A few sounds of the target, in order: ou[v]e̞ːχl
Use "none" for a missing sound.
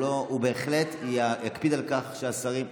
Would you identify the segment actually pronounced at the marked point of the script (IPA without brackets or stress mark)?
b